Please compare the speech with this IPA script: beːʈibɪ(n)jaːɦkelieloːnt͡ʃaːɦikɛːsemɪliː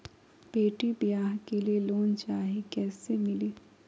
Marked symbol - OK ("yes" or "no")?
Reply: no